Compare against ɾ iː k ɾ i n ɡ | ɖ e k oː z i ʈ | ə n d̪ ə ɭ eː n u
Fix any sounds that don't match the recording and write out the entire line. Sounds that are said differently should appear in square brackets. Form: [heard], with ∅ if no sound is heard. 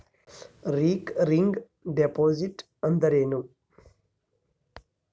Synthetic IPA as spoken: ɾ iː k ɾ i [ŋ] ɡ | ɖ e [p] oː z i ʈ | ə n d̪ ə [ɾ] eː n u